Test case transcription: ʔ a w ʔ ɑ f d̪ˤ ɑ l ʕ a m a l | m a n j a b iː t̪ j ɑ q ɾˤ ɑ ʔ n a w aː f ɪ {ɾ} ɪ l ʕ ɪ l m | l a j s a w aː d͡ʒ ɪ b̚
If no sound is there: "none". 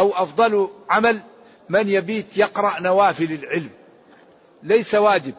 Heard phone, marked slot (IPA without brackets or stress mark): l